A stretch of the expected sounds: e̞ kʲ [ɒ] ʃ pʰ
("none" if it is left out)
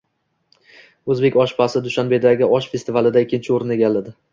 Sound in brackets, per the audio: ɒ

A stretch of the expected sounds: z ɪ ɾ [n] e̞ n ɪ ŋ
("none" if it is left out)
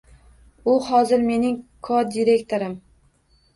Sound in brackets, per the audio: m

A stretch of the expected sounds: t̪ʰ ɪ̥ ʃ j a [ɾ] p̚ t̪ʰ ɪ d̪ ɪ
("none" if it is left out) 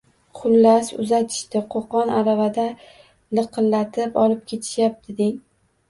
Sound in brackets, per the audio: none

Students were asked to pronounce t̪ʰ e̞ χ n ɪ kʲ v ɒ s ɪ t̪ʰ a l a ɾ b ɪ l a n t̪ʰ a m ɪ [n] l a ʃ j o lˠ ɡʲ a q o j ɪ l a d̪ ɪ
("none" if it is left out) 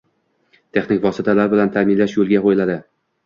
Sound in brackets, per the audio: n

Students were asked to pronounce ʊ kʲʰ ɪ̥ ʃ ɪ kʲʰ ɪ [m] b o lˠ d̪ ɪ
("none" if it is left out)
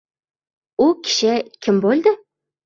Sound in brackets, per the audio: m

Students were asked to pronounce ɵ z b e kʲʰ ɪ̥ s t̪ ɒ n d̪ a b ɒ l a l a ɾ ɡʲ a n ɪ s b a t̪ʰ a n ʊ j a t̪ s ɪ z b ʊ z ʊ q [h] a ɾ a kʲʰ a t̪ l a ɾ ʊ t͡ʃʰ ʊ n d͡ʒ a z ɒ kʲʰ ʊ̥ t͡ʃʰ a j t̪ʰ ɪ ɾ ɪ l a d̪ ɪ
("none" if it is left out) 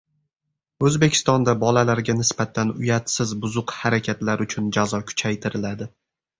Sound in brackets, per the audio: h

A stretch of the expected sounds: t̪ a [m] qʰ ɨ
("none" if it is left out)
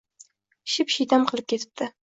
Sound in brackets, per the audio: m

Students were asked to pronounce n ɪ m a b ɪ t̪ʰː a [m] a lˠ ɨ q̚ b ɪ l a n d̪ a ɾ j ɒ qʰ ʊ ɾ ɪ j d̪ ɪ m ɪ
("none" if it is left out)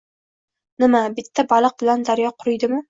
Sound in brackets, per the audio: b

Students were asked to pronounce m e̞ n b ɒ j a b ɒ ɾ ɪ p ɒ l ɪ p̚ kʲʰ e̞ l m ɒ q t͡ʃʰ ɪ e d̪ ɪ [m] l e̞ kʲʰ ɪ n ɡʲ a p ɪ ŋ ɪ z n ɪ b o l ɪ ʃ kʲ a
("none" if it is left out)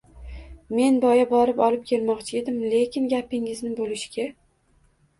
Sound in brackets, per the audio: m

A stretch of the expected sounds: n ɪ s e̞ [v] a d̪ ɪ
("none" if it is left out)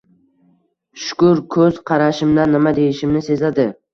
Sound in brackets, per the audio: z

